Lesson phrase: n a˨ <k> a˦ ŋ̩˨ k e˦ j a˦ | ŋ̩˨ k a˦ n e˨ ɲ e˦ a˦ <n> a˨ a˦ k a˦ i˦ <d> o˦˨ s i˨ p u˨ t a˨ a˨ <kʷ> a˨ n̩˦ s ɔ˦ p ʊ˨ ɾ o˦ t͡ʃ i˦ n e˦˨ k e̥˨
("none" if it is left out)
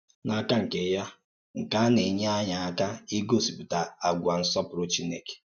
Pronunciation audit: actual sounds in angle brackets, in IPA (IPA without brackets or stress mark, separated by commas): k, ɲ, ɡ, ɡʷ